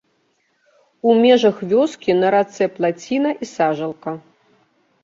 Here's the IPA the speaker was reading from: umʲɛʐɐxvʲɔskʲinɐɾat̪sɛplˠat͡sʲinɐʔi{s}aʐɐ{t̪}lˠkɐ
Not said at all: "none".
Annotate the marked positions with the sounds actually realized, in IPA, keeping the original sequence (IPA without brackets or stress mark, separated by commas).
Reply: s, none